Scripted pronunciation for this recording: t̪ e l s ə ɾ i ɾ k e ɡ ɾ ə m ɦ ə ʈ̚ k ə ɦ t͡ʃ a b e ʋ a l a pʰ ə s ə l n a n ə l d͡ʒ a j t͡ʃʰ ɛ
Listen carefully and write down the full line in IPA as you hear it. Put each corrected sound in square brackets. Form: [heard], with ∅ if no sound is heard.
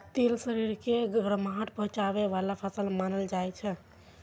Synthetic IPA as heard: t̪ e l s ə ɾ i ɾ k e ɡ ɾ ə m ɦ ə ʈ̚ [p] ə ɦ t͡ʃ a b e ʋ a l a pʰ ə s ə l [m] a n ə l d͡ʒ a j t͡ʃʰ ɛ

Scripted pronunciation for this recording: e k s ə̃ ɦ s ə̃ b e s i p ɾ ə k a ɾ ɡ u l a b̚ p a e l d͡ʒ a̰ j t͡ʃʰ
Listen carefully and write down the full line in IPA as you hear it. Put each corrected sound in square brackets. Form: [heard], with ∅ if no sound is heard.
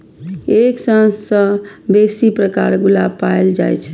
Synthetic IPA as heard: e k s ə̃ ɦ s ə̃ b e s i p ɾ ə k a ɾ ɡ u l a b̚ p a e l d͡ʒ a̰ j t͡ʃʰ

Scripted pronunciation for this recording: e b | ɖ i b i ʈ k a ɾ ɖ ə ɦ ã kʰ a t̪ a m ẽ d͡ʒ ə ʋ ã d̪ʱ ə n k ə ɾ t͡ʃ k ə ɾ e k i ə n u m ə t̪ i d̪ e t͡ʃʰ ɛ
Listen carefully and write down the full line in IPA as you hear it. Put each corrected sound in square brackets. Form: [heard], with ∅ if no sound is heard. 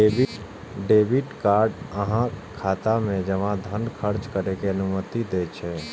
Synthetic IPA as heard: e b | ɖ [e] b i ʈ k a ɾ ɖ ə ɦ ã kʰ a t̪ a m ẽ d͡ʒ ə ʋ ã d̪ʱ ə n [kʰ] ə ɾ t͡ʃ k ə ɾ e k [e] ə n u m ə t̪ i d̪ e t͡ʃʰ ɛ

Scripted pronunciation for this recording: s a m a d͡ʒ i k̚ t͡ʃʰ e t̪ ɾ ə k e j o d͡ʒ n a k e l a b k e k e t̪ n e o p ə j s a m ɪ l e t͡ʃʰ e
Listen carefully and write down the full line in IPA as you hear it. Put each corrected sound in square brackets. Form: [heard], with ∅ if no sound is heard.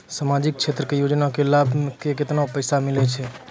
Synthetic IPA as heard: s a m a d͡ʒ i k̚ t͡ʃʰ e t̪ ɾ ə k e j o d͡ʒ n a k e l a b k e k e t̪ n [a] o p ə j s a m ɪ l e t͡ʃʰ e

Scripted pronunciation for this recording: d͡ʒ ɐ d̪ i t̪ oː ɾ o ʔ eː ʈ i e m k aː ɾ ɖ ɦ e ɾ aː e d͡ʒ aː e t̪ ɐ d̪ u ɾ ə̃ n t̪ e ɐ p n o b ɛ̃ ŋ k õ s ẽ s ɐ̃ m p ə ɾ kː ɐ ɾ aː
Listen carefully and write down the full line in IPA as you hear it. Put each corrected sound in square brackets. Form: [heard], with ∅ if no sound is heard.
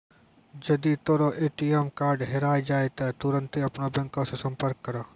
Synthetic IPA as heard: d͡ʒ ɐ d̪ i t̪ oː ɾ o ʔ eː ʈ i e m k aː ɾ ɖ ɦ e ɾ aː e d͡ʒ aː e t̪ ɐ [t̪] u ɾ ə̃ n t̪ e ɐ p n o b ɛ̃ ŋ k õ s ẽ s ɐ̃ m p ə ɾ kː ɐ ɾ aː

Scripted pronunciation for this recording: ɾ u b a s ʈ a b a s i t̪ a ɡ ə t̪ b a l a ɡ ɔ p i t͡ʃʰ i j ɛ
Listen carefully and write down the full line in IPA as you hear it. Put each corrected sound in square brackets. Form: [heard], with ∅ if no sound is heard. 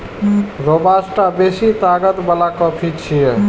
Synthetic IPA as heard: ɾ [o] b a s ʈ a b [e] s i t̪ a ɡ ə t̪ b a l a [k] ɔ [pʰ] i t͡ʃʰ i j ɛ

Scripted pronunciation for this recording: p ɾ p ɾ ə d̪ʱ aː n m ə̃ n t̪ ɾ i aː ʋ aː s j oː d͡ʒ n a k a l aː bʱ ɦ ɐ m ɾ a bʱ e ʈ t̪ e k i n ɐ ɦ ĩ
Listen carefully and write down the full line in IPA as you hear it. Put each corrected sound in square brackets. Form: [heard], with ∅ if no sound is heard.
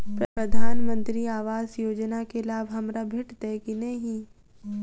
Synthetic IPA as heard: p ɾ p ɾ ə d̪ʱ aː n m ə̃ n t̪ ɾ i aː ʋ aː [z] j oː d͡ʒ n a k [e] l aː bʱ ɦ ɐ m ɾ a bʱ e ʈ t̪ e k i n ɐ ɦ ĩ

